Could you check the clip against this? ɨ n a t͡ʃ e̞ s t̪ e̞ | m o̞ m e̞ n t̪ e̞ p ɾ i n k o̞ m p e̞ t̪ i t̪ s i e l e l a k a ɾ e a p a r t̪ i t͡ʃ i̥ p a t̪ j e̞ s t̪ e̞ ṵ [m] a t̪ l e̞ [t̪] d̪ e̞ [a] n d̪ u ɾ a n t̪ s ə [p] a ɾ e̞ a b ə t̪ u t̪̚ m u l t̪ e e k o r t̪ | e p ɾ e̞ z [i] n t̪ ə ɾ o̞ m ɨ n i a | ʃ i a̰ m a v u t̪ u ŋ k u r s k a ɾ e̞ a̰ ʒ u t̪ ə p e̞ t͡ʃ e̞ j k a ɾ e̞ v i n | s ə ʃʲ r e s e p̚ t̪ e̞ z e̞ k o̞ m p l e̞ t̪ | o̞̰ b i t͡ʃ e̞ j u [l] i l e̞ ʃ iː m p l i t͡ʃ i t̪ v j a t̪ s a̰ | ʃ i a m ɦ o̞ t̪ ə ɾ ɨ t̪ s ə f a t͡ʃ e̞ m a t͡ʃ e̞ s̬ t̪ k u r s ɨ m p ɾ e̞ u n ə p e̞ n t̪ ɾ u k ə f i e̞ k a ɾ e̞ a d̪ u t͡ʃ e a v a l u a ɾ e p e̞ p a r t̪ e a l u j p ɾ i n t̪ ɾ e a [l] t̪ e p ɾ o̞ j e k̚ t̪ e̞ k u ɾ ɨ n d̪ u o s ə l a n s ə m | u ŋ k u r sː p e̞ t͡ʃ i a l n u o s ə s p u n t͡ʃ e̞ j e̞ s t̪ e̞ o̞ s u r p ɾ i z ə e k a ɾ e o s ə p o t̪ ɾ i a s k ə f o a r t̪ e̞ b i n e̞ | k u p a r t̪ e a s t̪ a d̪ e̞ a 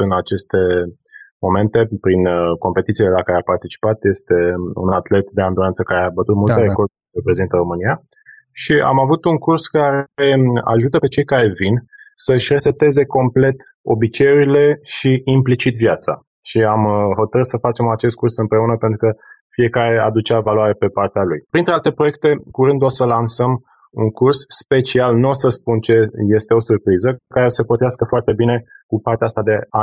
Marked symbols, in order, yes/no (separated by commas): no, yes, yes, no, yes, no, yes